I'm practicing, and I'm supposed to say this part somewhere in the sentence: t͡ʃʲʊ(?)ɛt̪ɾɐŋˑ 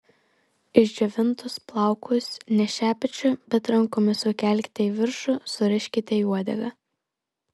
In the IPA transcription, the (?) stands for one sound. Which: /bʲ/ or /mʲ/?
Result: bʲ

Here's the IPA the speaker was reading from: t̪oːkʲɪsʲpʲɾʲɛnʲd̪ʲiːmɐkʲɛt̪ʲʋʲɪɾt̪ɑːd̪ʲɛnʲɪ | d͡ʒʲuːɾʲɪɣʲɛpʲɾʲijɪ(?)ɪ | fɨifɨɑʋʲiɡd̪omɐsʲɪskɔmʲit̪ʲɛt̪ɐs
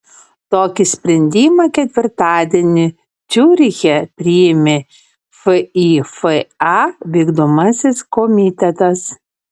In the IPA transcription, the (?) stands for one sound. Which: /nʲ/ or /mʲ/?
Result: mʲ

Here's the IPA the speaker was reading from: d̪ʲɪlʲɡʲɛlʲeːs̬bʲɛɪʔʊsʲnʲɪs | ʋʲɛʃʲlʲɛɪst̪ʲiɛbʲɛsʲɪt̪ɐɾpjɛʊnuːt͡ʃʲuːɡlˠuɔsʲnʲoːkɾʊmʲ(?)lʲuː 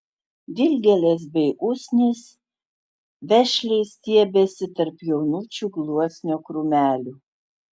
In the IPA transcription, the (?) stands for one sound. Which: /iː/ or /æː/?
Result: æː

